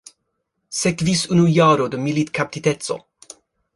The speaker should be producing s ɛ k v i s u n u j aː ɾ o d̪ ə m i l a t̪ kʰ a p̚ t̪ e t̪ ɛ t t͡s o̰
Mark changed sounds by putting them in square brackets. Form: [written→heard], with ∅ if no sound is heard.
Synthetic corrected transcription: s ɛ k v i s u n u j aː ɾ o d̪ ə m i l [a→i] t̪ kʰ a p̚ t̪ [e→i] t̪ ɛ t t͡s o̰